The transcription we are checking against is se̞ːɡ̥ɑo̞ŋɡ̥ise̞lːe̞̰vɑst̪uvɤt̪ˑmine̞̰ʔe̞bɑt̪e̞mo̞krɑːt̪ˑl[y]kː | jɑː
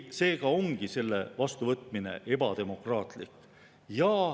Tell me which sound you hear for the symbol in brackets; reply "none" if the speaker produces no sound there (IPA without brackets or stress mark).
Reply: i